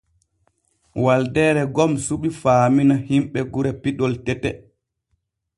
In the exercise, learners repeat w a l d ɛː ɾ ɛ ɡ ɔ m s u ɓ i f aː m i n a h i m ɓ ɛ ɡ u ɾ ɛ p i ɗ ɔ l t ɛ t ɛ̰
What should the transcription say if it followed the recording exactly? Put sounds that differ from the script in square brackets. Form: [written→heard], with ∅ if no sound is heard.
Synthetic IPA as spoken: w a l d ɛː ɾ ɛ ɡ ɔ m s u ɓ i f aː m i n a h i m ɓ ɛ ɡ u ɾ ɛ p i ɗ ɔ l t ɛ t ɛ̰

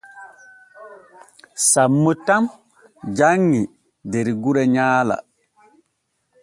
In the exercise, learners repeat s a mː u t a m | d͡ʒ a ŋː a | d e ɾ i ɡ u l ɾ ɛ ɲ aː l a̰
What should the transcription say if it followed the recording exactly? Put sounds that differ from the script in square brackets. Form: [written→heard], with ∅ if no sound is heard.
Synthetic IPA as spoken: s a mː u t a m | d͡ʒ a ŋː [a→i] | d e ɾ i ɡ u [l→∅] ɾ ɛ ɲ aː l a̰

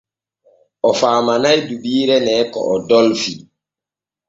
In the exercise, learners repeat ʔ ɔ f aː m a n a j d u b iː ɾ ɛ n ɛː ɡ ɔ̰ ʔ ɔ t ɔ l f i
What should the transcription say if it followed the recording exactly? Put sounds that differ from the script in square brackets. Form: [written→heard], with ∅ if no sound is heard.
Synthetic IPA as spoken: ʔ ɔ f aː m a n a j d u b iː ɾ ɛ n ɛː [ɡ→k] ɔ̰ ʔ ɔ [t→d] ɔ l f i

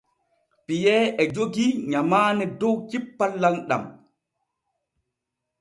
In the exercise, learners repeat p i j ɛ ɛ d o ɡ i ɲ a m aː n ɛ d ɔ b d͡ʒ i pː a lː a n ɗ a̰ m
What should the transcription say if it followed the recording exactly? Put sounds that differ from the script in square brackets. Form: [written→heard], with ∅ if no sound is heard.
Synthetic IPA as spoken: p i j ɛ ɛ [d→d͡ʒ] o ɡ i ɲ a m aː n ɛ d ɔ [b→w] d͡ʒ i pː a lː a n ɗ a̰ m

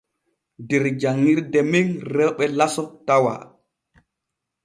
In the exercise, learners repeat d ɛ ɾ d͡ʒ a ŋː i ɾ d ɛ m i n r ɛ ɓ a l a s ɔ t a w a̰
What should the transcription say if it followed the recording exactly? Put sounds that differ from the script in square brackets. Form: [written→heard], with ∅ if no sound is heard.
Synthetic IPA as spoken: d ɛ ɾ d͡ʒ a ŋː i ɾ d ɛ m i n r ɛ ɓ [a→ɛ] l a s ɔ t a w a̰

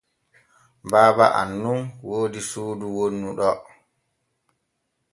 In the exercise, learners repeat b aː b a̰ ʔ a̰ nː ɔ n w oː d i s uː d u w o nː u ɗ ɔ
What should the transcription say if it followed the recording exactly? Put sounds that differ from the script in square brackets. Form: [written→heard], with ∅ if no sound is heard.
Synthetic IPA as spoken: b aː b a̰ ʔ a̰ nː [ɔ→u] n w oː d i s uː d u w o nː u ɗ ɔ

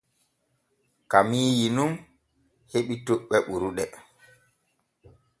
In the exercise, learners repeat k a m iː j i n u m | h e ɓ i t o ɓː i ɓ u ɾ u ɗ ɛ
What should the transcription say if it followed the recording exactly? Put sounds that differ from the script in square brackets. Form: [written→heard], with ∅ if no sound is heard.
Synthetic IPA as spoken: k a m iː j i n u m | h e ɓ i t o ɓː [i→ɛ] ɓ u ɾ u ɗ ɛ

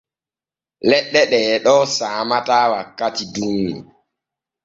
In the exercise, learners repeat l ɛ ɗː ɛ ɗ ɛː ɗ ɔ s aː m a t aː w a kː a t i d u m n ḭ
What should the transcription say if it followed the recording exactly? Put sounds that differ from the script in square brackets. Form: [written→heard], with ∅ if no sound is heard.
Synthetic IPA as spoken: l ɛ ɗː ɛ ɗ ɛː ɗ ɔ s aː m a t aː w a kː a t i d u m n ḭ

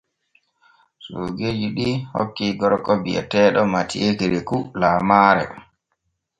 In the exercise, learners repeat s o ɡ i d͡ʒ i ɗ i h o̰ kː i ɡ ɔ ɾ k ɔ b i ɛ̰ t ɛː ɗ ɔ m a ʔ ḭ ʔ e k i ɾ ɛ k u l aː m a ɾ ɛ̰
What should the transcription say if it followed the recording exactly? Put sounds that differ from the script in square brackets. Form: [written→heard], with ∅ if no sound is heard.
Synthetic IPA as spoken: s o ɡ [i→e] d͡ʒ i ɗ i h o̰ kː i ɡ ɔ ɾ k ɔ b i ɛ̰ t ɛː ɗ ɔ m a [ʔ→t] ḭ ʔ e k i ɾ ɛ k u l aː m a ɾ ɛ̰

